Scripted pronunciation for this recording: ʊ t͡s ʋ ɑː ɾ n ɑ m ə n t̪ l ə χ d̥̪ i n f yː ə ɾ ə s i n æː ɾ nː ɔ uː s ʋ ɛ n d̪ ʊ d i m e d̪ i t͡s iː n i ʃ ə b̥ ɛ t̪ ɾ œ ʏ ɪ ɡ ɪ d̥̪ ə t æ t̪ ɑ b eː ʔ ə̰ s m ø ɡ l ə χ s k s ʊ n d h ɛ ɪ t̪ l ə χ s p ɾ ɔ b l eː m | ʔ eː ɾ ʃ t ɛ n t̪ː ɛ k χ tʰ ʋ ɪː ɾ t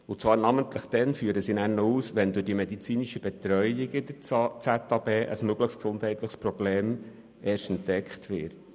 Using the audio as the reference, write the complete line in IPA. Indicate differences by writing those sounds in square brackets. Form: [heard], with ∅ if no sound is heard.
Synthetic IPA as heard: ʊ t͡s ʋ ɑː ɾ n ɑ m ə n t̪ l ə χ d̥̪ [ɛ] n f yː ə ɾ ə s i n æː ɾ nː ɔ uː s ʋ ɛ n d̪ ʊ d i m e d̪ i t͡s iː n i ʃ ə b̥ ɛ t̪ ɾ œ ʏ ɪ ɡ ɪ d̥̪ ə [t͡s] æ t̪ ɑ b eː ʔ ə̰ s m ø ɡ l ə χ s k s ʊ n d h ɛ ɪ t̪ l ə χ s p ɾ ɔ b l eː m | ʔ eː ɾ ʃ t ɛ n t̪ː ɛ k χ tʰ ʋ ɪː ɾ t